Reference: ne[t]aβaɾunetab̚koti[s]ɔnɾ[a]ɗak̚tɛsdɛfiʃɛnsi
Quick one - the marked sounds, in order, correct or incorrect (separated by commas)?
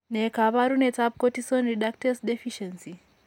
incorrect, correct, incorrect